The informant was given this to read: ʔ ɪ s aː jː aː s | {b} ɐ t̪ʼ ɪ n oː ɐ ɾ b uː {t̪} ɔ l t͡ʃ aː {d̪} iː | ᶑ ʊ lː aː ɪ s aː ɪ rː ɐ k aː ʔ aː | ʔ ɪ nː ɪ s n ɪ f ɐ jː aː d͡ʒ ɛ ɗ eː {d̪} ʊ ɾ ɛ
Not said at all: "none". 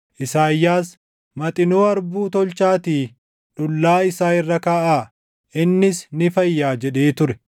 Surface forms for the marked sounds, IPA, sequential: m, t̪, t̪, t̪

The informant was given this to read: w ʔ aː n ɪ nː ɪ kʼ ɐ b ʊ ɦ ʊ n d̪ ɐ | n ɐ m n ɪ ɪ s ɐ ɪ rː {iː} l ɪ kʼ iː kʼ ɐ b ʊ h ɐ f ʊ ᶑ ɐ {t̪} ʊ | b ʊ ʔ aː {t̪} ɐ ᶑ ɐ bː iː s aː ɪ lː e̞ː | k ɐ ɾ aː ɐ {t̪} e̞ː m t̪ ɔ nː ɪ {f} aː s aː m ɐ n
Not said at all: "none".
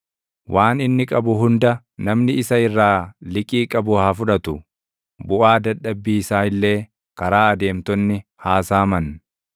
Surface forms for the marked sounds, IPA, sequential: aː, t̪, d̪, d̪, h

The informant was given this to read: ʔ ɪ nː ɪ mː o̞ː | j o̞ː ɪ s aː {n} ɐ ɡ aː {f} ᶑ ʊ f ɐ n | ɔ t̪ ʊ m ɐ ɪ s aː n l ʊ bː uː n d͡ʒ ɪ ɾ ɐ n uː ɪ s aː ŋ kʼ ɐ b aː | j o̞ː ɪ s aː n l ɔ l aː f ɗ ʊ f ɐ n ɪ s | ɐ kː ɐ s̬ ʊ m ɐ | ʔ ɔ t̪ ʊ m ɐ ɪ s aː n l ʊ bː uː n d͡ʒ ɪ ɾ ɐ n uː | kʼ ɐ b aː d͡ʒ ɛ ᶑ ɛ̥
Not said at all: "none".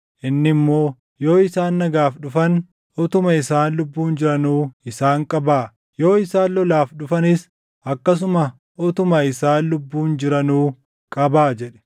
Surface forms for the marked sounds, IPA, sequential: nː, f

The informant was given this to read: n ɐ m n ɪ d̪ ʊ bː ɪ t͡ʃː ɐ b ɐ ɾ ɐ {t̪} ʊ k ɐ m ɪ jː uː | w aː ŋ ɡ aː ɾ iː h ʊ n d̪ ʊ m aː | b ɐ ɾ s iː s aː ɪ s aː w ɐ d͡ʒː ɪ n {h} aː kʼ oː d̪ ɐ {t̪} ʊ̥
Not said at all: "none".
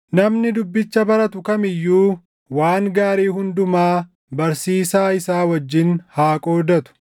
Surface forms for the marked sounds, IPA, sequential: t̪, h, t̪

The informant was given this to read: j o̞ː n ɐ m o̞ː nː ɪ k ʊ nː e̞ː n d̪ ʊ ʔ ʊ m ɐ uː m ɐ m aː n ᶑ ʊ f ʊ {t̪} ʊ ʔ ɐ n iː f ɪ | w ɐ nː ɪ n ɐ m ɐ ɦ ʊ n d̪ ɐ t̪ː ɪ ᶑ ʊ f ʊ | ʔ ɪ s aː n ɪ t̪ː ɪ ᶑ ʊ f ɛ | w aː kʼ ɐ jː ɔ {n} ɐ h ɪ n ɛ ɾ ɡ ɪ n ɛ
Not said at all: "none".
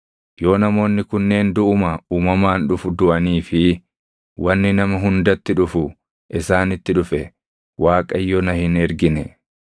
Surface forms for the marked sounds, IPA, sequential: d̪, n

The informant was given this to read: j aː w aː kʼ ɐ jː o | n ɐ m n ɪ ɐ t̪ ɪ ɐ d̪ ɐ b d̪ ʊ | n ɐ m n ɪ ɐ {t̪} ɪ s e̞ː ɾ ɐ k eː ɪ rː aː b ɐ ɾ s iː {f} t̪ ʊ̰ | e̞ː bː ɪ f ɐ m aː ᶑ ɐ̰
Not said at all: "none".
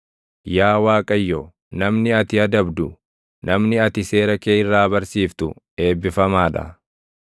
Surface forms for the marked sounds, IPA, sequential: t̪, f

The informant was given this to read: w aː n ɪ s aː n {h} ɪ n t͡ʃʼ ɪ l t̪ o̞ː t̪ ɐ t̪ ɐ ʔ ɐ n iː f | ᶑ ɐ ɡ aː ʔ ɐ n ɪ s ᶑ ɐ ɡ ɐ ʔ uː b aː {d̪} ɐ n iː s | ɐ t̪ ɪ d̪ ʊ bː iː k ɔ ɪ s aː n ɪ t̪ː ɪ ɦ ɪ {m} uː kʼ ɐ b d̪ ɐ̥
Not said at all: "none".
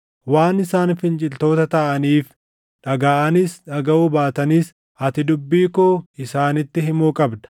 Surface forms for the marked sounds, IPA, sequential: f, t̪, m

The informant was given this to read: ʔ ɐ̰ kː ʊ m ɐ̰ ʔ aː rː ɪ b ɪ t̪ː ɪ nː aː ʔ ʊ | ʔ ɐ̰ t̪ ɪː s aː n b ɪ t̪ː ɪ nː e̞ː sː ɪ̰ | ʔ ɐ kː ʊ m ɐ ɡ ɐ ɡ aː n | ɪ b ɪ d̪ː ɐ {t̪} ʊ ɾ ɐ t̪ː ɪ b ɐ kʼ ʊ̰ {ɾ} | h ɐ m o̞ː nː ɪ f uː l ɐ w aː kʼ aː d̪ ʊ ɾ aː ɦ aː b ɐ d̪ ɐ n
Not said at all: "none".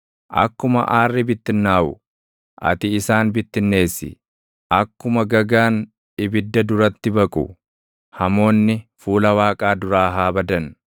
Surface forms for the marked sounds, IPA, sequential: d̪, none

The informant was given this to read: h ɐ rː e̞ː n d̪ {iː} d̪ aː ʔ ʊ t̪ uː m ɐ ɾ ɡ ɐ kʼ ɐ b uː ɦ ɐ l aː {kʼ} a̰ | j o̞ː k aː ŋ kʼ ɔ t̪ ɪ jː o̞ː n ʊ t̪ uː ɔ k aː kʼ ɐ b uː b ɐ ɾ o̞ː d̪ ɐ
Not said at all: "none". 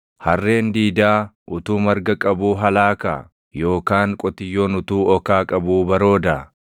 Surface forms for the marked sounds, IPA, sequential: iː, k

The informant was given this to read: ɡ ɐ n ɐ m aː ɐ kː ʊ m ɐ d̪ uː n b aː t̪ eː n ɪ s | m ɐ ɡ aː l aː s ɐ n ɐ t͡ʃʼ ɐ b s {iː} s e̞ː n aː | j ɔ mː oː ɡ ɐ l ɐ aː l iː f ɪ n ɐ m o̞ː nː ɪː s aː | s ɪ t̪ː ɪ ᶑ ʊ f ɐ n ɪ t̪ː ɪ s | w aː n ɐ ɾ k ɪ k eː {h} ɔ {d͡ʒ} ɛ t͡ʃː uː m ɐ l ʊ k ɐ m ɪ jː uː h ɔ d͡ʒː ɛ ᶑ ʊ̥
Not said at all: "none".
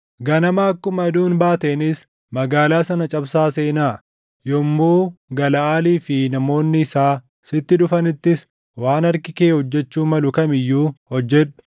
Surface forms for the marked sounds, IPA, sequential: aː, h, d͡ʒː

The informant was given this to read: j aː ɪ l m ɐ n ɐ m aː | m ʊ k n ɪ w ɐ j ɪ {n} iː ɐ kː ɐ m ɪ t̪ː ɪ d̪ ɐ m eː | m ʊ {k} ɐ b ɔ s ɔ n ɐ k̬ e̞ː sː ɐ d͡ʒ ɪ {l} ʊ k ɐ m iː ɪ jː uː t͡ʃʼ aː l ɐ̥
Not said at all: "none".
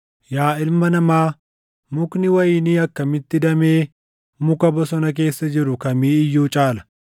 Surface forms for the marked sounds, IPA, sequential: n, k, ɾ

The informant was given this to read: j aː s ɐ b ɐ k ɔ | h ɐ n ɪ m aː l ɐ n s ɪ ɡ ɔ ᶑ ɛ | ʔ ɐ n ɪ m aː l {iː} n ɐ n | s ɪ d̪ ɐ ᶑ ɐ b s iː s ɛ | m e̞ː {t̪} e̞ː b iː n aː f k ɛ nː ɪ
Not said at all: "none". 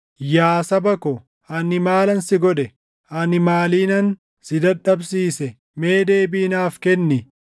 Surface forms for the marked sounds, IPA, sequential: iː, d̪

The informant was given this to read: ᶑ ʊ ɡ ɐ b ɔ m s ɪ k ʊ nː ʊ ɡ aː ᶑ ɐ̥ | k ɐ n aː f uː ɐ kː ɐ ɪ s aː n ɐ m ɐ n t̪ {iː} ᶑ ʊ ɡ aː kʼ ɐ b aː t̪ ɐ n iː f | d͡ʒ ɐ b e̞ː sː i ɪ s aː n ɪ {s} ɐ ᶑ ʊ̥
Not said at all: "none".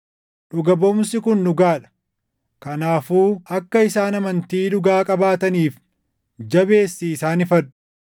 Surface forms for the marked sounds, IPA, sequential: iː, f

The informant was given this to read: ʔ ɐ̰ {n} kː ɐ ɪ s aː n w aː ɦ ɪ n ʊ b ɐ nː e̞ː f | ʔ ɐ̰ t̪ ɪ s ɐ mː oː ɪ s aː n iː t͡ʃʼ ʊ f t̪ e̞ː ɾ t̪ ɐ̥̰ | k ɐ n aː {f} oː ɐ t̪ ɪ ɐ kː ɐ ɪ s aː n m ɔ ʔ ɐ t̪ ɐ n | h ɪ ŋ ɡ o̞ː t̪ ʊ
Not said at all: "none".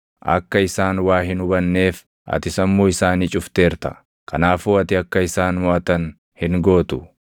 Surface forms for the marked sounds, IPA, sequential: none, f

